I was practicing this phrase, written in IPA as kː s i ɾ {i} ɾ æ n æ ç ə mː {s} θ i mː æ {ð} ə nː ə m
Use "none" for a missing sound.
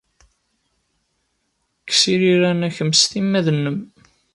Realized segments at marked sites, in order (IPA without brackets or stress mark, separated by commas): i, s, ð